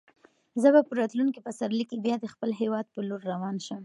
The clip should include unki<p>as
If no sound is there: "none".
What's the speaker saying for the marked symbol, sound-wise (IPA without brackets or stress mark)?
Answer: p